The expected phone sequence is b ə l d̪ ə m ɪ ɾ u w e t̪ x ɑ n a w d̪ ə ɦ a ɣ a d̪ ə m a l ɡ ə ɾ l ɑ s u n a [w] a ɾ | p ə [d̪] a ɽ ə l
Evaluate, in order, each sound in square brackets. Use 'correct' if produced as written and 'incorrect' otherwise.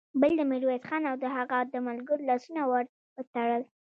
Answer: correct, incorrect

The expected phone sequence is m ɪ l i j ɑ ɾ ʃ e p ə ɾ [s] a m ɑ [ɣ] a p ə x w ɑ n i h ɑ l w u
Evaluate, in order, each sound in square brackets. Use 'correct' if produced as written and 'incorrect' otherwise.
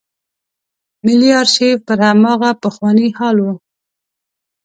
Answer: incorrect, correct

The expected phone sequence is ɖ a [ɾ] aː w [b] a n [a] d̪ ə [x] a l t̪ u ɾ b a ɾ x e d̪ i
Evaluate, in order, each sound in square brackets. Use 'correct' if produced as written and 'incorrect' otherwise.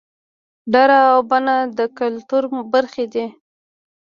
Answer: correct, correct, correct, incorrect

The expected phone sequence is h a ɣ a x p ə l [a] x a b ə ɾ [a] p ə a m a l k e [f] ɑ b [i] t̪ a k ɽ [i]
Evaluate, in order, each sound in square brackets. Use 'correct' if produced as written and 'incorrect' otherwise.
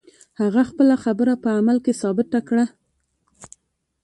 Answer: correct, correct, incorrect, incorrect, incorrect

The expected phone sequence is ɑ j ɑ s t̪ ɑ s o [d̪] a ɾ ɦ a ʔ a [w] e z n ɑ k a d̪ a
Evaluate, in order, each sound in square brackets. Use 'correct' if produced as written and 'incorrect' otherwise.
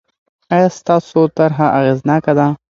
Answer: incorrect, incorrect

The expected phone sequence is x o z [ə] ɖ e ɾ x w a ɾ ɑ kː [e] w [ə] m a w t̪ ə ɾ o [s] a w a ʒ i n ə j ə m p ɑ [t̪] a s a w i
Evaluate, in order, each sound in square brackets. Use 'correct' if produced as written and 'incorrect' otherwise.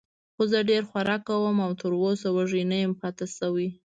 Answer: correct, incorrect, correct, correct, correct

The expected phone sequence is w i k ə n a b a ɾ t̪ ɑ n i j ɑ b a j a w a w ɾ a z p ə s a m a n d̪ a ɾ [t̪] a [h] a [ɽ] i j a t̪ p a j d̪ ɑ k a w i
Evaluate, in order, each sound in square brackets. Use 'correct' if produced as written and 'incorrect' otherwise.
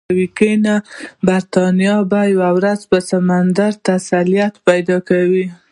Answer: correct, incorrect, incorrect

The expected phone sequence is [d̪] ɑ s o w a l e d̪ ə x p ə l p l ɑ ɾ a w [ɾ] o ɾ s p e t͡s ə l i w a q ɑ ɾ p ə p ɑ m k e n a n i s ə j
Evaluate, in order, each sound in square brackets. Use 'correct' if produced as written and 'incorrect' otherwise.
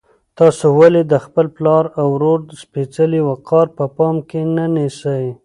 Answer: incorrect, correct

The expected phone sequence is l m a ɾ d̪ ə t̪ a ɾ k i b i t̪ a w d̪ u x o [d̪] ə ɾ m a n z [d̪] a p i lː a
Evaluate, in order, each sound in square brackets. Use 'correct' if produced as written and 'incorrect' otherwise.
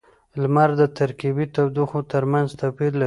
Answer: incorrect, incorrect

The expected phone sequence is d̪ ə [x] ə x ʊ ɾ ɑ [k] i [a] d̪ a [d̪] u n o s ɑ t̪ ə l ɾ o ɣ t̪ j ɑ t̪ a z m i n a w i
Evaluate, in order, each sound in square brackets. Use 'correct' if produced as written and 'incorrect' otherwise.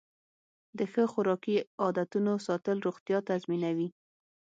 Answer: correct, correct, incorrect, incorrect

